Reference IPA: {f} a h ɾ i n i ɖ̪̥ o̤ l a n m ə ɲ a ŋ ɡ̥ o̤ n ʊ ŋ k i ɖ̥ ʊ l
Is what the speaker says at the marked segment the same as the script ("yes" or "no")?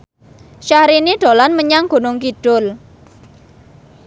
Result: no